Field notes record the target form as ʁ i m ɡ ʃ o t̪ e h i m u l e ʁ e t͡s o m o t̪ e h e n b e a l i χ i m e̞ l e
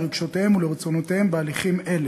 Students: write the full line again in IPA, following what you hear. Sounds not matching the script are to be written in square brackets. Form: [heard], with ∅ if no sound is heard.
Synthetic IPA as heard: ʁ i [∅] ɡ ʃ o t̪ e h [e] m u l e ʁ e t͡s o [n] o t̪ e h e [m] b e a l i χ i m e̞ l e

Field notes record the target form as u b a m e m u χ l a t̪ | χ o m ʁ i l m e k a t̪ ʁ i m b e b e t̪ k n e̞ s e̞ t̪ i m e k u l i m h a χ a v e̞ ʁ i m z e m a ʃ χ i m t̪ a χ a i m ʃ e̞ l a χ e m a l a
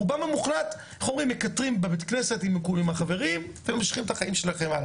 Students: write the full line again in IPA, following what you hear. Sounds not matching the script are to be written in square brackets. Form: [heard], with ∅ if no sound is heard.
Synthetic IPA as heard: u b a m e m u χ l a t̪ | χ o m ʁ i [∅] m e k a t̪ ʁ i m b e b e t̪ k n e̞ s e̞ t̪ i m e k u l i m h a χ a v e̞ ʁ i m [v] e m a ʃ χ i m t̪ a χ a i m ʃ e̞ l a χ e m a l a

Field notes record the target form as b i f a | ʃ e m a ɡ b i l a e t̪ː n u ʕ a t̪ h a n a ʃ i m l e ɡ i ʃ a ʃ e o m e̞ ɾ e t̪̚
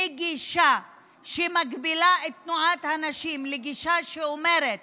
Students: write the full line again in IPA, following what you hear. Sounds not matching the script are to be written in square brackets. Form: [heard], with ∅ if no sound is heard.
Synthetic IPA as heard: [ɡ] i [ʃ] a | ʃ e m a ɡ b i l a e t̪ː n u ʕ a t̪ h a n a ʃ i m l e ɡ i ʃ a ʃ e o m e̞ ɾ e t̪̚

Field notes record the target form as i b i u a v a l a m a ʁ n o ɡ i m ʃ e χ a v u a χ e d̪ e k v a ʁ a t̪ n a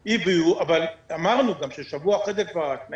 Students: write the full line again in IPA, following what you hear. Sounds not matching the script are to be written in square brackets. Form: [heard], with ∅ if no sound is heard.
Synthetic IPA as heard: i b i u a v a l a m a ʁ n [u] ɡ [a] m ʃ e [ʃ] a v u a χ e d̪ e k v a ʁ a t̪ n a

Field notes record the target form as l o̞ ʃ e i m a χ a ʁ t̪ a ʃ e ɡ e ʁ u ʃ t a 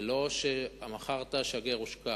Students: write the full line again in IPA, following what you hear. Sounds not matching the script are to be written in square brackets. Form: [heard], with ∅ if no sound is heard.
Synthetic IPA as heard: l o̞ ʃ e [a] m a χ a ʁ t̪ a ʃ [a] ɡ e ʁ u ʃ [k] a

